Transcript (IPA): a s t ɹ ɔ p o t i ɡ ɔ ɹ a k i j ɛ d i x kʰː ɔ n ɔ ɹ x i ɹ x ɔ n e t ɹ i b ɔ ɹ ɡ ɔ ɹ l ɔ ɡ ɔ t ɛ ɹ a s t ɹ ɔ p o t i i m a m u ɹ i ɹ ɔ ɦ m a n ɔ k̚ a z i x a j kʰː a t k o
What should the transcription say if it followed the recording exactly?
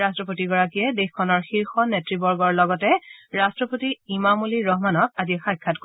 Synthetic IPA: a s t ɹ ɔ p o t i ɡ ɔ ɹ a k i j ɛ d e x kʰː ɔ n ɔ ɹ x i ɹ x ɔ n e t ɹ i b ɔ ɹ ɡ ɔ ɹ l ɔ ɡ ɔ t ɛ ɹ a s t ɹ ɔ p o t i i m a m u l i ɹ ɔ ɦ m a n ɔ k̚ a z i x a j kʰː a t k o